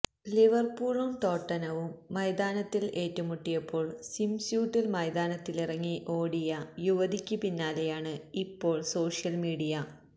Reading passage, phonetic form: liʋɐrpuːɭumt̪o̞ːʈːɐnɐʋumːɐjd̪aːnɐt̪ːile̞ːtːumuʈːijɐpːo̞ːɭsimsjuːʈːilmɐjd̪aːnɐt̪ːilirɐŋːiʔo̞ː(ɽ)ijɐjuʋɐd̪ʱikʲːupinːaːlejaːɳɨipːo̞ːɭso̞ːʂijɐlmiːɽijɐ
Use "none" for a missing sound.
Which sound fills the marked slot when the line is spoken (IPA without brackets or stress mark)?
ɽ